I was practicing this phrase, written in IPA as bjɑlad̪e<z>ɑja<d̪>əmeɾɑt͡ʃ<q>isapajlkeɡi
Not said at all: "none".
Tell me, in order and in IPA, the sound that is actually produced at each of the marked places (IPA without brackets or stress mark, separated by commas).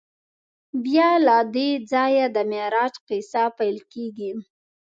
d͡z, d̪, q